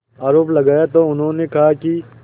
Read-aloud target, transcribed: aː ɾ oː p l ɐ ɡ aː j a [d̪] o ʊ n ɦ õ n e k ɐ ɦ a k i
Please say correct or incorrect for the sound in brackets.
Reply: incorrect